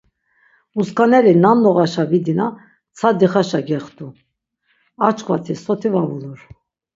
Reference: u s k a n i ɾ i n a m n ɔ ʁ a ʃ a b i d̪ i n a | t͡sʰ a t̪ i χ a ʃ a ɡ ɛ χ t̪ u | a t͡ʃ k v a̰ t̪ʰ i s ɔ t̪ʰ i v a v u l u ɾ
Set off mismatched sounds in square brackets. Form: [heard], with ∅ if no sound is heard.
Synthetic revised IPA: u s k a n [ɛ] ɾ i n a m n ɔ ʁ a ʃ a [v] i d̪ i n a | t͡sʰ a [d̪] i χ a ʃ a ɡ ɛ χ t̪ u | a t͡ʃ k v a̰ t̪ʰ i s ɔ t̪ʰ i v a v u l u ɾ